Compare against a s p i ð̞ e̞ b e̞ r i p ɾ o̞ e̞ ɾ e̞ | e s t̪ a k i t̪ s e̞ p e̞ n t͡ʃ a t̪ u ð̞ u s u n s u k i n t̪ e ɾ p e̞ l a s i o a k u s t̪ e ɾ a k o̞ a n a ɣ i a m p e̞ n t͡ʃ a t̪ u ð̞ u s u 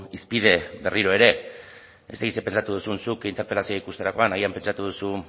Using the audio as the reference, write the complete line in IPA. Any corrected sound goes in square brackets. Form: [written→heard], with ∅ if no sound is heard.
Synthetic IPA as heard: [a→i] s p i ð̞ e̞ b e̞ r i [p→∅] ɾ o̞ e̞ ɾ e̞ | e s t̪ a k i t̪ s e̞ p e̞ n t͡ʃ a t̪ u ð̞ u s u n s u k i n t̪ e ɾ p e̞ l a s i o [a→i] k u s t̪ e ɾ a k o̞ a n a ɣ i a m p e̞ n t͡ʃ a t̪ u ð̞ u s u